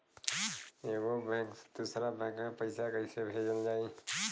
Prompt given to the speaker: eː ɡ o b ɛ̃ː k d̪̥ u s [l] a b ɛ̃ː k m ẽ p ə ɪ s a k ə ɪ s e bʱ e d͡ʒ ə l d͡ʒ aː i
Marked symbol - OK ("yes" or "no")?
no